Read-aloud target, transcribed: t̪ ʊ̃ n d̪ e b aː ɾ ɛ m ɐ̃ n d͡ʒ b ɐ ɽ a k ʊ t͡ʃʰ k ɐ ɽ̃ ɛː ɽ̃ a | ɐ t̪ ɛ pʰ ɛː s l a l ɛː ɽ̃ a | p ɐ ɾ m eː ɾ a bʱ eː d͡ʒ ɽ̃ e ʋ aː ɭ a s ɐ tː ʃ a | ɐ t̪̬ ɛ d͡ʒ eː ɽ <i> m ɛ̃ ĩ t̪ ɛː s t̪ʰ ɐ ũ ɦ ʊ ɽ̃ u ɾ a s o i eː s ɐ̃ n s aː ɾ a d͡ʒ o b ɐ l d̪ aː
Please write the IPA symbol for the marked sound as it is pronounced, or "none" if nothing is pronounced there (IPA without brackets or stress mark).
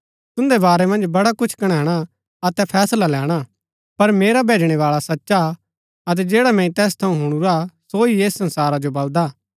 a